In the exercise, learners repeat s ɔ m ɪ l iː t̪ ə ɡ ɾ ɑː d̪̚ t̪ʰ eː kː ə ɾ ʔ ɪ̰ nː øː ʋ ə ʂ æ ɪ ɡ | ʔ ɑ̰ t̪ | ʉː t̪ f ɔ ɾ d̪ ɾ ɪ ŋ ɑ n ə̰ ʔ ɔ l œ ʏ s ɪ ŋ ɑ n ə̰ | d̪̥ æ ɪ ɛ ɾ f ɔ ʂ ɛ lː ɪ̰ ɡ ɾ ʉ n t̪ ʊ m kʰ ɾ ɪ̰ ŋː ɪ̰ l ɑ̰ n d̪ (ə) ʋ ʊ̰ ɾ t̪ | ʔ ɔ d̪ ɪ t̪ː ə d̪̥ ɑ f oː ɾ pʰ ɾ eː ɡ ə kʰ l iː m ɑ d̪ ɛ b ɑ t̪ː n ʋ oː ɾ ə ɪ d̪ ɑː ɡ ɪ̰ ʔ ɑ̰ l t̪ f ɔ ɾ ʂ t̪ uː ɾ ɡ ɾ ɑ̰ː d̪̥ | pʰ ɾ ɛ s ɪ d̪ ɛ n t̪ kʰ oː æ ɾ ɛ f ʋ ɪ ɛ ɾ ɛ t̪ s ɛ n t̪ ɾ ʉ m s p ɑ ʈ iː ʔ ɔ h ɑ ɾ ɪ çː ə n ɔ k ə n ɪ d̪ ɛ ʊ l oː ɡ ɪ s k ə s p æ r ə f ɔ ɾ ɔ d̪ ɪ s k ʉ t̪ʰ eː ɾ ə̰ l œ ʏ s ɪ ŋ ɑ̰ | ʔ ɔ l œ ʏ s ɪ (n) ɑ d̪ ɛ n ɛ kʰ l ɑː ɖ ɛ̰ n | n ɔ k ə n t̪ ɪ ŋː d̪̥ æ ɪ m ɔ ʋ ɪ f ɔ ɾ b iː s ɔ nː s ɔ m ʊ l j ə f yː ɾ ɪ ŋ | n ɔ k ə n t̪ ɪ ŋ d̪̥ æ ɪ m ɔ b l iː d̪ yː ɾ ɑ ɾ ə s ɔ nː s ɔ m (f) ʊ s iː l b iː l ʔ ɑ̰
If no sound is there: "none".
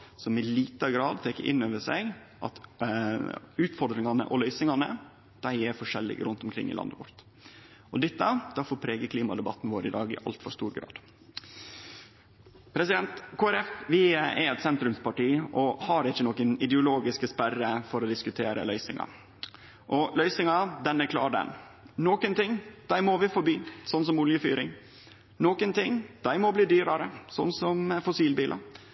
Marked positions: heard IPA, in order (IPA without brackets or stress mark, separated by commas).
ə, ŋ, f